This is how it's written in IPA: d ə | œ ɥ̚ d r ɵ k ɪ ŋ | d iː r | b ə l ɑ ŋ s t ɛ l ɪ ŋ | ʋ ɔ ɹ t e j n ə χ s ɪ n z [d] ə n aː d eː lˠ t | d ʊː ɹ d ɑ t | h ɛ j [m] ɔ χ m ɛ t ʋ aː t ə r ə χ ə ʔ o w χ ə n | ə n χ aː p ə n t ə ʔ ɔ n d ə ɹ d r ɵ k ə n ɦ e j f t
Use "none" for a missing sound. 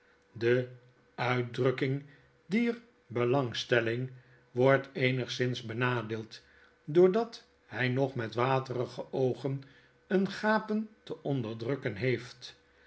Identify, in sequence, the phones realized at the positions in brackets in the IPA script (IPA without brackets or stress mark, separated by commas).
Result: b, n